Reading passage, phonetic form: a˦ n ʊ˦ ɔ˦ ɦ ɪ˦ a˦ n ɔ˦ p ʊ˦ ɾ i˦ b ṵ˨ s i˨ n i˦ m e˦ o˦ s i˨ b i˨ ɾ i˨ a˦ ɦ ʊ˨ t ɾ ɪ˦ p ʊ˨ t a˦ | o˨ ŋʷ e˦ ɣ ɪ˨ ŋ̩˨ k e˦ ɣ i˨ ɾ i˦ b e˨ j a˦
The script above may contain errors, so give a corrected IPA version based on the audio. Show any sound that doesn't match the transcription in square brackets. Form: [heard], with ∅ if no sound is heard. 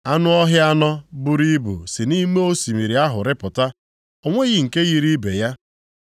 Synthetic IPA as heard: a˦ n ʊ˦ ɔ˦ ɦ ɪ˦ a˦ n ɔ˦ [b] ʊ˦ ɾ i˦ b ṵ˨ s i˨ n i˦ m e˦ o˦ s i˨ [m] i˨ ɾ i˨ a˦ ɦ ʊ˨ [∅] ɾ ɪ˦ p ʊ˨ t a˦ | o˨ ŋʷ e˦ ɣ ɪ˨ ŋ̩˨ k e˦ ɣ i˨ ɾ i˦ b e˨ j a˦

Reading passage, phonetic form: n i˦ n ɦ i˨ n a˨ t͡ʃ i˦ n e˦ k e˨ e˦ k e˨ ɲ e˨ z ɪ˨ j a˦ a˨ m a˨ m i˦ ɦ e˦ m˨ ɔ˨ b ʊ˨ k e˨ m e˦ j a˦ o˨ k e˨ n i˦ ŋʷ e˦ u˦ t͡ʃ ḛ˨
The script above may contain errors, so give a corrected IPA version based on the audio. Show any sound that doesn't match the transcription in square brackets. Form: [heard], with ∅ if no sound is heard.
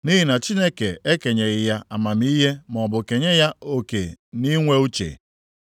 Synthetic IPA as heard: n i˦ [∅] ɦ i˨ n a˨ t͡ʃ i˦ n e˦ k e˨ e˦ k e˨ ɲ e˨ [ɣ] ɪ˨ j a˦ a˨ m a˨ m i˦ ɦ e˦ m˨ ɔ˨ b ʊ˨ k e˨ [ɲ] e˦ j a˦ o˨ k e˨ n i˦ ŋʷ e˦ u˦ t͡ʃ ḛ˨

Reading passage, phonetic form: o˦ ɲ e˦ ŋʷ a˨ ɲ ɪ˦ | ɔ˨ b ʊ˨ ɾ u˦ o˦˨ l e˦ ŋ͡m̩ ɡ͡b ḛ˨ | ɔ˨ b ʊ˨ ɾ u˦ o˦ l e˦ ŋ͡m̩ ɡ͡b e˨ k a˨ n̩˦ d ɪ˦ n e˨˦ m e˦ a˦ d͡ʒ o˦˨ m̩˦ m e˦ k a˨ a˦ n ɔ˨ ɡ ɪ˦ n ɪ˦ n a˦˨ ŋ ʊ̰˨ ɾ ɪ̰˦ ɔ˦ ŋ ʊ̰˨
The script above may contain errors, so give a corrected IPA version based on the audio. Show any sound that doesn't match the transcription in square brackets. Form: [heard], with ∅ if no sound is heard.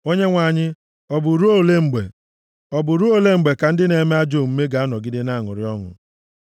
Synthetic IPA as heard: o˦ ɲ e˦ ŋʷ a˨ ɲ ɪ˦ | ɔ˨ b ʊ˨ ɾ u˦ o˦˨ l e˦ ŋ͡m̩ ɡ͡b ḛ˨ | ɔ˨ b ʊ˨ ɾ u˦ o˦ l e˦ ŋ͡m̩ ɡ͡b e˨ k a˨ n̩˦ d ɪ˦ n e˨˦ m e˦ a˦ d͡ʒ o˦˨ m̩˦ m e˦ [ɡ] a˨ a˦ n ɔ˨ ɡ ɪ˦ [d] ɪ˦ n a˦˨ ŋ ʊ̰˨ ɾ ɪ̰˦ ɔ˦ ŋ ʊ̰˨

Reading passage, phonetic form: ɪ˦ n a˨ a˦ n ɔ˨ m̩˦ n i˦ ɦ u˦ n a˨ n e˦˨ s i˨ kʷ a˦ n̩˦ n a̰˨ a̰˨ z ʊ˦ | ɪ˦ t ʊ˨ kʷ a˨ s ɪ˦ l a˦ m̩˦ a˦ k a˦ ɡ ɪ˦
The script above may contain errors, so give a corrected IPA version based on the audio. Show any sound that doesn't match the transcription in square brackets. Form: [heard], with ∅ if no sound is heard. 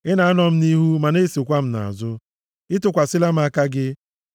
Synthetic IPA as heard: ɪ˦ n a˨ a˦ n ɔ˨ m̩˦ n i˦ ɦ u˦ [m] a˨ n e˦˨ s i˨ kʷ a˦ [m̩˦] n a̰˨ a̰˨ z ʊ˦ | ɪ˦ t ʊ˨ kʷ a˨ s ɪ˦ l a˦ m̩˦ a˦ k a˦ ɡ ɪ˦

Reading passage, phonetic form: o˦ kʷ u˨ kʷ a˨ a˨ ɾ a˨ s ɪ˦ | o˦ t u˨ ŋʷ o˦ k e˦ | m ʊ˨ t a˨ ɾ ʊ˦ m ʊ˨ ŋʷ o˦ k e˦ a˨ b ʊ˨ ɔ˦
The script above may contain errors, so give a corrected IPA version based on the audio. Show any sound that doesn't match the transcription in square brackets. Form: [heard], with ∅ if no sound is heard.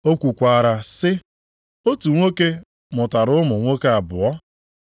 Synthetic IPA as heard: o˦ kʷ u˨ kʷ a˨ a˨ ɾ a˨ s ɪ˦ | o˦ t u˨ ŋʷ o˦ k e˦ | m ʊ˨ t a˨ ɾ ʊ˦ m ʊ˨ ŋʷ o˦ k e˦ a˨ b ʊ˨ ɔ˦

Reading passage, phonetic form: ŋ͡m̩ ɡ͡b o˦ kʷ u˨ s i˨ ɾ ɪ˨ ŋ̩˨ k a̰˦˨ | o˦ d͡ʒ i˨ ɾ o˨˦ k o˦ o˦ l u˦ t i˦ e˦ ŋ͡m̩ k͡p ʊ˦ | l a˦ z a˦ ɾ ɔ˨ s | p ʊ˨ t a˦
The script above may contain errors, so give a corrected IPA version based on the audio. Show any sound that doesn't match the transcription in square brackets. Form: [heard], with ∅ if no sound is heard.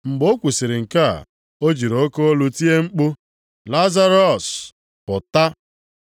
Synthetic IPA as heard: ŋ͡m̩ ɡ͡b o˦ kʷ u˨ s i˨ ɾ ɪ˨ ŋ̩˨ k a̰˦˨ | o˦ d͡ʒ i˨ ɾ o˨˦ k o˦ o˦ l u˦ t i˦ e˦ ŋ͡m̩ k͡p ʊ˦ | l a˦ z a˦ ɾ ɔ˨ s | p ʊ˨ t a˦

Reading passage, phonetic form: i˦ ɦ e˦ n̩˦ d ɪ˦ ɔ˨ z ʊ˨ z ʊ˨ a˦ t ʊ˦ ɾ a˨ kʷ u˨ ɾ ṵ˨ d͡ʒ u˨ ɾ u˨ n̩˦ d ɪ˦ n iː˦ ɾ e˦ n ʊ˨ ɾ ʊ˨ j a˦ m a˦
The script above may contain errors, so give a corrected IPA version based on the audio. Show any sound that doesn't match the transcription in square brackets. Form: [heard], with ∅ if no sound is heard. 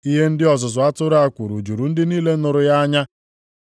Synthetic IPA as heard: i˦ ɦ e˦ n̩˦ d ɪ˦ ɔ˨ z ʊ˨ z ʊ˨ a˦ t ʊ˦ ɾ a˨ kʷ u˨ ɾ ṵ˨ d͡ʒ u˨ ɾ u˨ n̩˦ d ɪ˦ n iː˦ [l] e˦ n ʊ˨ ɾ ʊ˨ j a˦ [ɲ] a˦

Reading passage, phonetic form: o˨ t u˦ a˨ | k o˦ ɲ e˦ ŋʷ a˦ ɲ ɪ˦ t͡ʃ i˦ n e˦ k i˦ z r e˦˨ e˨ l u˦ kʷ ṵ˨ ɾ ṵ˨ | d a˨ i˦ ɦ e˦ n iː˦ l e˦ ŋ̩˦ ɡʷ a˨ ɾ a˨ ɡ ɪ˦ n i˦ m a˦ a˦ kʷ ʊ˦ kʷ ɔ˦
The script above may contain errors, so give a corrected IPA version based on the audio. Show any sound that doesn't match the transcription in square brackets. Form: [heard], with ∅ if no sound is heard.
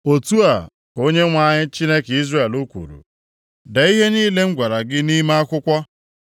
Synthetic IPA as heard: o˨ t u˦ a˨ | k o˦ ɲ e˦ ŋʷ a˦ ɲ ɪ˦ t͡ʃ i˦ n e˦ k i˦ z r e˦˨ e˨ l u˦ kʷ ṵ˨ ɾ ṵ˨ | d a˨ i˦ ɦ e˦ n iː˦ l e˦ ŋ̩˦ ɡʷ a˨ ɾ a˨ ɡ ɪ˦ n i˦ m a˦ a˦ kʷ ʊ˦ kʷ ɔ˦

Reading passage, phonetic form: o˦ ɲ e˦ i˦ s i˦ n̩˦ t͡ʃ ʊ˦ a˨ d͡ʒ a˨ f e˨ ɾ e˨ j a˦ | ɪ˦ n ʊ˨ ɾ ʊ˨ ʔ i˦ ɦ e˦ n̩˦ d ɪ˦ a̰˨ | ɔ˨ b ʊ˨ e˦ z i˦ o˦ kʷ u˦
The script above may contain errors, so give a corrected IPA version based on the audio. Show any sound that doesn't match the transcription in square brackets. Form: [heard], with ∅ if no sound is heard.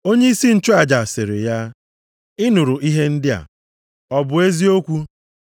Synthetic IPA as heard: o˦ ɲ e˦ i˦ s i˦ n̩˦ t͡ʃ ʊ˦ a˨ d͡ʒ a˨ [s] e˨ ɾ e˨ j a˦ | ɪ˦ n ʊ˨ ɾ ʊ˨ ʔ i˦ ɦ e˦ n̩˦ d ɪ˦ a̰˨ | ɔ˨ b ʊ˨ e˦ z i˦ o˦ kʷ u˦

